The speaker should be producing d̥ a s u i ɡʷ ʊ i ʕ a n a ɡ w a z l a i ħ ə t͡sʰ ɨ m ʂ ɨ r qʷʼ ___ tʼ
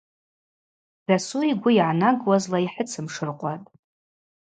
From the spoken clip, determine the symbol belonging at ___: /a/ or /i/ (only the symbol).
a